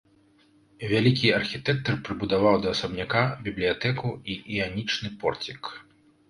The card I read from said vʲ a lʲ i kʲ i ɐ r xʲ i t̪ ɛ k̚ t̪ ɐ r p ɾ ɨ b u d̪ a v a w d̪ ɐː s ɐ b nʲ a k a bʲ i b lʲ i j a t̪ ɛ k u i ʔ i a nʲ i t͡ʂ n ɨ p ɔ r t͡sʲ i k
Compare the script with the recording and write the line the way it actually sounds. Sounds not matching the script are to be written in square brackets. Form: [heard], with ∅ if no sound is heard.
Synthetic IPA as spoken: vʲ a lʲ i kʲ i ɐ r xʲ i t̪ ɛ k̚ t̪ ɐ r p ɾ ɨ b u d̪ a v a w d̪ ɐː s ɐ b nʲ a k a bʲ i b lʲ i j a t̪ ɛ k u i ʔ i a nʲ i t͡ʂ n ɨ p ɔ r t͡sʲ i k